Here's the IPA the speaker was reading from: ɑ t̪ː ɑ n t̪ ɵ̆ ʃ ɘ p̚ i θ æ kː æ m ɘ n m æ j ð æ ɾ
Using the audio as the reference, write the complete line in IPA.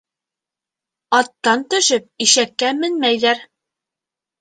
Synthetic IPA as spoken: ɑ t̪ː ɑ n t̪ ɵ̆ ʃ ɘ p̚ i ʃ æ kː æ m ɘ n m æ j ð æ ɾ